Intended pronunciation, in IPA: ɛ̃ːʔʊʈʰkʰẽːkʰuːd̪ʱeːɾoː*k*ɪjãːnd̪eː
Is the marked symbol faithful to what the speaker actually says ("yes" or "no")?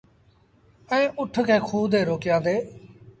yes